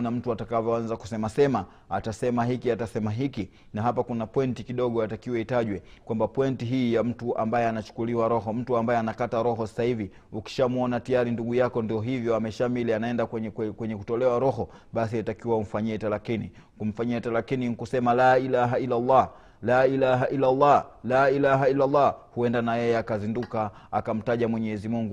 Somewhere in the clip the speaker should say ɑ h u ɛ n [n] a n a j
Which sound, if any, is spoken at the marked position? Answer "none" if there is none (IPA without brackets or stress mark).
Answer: d